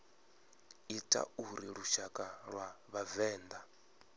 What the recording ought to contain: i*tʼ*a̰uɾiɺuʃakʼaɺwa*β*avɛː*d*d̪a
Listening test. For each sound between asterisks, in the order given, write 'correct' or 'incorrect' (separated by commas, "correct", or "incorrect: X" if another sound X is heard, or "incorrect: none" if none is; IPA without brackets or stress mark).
correct, correct, incorrect: n